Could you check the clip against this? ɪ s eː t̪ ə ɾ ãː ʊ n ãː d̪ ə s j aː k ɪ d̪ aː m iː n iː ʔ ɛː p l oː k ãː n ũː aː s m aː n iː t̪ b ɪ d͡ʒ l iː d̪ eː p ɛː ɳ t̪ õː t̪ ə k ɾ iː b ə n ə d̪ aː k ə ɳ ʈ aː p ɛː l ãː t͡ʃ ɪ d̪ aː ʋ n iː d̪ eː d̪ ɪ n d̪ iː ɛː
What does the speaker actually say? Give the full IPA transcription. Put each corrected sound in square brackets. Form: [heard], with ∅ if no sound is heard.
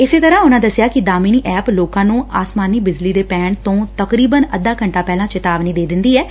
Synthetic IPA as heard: ɪ s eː t̪ ə ɾ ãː ʊ n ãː d̪ ə s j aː k ɪ d̪ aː m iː n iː ʔ ɛː p l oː k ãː n ũː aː s m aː n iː [∅] b ɪ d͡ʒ l iː d̪ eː p ɛː ɳ t̪ õː t̪ ə k ɾ iː b ə n ə d̪ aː k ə ɳ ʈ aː p ɛː l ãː t͡ʃ ɪ [t̪] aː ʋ n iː d̪ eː d̪ ɪ n d̪ iː ɛː